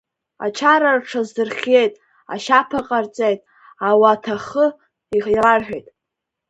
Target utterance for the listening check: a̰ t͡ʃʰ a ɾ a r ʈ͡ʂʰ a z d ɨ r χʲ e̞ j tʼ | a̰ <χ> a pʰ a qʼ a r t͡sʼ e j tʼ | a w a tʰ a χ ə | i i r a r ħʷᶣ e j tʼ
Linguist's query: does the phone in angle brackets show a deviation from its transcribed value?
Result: yes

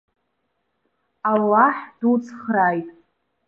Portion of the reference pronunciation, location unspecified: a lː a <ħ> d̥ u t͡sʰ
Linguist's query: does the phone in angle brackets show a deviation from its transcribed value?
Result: no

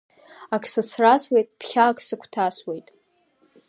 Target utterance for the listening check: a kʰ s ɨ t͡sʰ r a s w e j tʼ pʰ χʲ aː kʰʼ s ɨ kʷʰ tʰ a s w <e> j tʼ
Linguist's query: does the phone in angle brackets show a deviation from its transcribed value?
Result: no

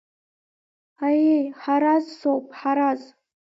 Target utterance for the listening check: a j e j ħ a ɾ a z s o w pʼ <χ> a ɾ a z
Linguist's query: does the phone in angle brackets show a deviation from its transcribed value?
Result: yes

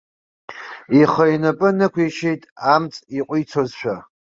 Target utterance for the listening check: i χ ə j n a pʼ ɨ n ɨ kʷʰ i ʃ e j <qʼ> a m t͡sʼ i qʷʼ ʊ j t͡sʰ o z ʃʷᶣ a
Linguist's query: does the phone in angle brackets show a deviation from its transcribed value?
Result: yes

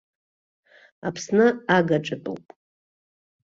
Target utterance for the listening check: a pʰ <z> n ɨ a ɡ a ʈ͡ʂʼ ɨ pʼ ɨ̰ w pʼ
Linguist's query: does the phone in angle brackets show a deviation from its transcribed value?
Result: yes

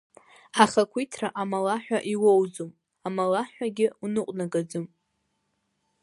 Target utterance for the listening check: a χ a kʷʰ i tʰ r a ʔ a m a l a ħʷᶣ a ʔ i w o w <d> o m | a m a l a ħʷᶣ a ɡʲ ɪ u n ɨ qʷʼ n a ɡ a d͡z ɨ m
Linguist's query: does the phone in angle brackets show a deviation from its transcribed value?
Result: yes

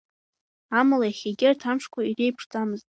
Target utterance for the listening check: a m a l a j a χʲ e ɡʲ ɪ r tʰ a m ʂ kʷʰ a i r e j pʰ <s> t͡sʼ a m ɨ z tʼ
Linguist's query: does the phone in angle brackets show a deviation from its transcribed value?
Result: yes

